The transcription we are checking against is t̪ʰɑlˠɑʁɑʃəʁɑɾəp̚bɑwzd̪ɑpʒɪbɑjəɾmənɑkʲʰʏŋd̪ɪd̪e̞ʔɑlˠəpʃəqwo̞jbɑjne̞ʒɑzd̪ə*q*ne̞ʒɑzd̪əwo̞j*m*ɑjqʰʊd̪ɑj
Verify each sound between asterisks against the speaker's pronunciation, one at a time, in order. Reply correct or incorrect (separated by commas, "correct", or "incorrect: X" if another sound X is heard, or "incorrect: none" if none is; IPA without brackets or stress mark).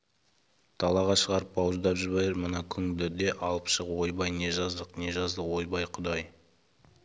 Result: correct, incorrect: b